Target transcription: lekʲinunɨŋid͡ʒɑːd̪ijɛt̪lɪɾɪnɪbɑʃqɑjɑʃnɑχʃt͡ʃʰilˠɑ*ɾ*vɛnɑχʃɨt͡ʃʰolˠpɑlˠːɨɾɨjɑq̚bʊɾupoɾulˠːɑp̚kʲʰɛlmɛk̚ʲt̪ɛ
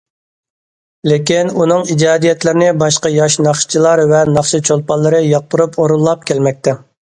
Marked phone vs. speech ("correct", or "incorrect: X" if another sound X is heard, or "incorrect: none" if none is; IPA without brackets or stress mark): correct